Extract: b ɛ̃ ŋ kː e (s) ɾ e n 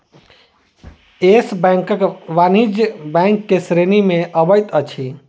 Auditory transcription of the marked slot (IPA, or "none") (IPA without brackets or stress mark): s